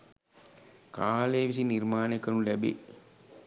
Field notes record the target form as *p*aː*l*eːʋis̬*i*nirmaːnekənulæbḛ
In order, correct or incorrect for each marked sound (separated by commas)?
incorrect, correct, correct